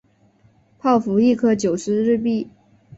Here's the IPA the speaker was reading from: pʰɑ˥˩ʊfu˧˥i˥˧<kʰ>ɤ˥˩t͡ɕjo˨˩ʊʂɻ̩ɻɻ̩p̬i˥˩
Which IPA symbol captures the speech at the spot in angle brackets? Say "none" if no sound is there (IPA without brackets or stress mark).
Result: kʰ